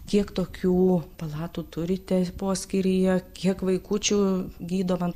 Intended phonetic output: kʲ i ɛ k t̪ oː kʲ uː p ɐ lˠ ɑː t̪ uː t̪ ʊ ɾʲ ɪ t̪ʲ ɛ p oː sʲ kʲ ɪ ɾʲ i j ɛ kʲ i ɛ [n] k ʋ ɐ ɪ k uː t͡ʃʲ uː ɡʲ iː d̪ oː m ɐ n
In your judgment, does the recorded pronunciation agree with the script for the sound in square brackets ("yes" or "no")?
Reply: no